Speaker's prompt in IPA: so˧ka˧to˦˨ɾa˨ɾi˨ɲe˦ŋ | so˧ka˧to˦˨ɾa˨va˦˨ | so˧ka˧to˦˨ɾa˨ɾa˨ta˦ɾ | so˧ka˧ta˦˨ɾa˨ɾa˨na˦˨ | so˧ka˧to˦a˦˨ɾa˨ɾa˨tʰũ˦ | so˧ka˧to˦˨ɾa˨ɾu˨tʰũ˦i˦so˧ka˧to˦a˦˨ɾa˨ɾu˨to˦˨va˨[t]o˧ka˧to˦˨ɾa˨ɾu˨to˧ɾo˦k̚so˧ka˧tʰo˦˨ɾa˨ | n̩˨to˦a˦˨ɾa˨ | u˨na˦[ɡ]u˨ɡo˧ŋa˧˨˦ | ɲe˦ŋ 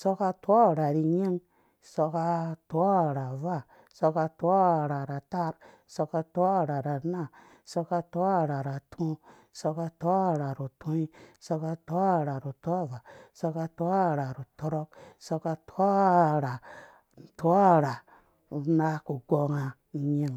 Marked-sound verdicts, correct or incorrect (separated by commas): incorrect, incorrect